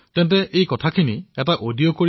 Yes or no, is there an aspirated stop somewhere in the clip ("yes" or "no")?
yes